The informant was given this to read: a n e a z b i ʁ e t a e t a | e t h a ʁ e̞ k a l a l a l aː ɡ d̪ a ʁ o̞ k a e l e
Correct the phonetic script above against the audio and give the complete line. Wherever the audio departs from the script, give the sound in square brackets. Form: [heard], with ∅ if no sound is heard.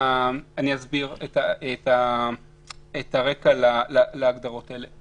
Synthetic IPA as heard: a n [i] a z b i ʁ e t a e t a | e t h a ʁ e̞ k a l a l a l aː ɡ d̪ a ʁ o̞ [t] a e l e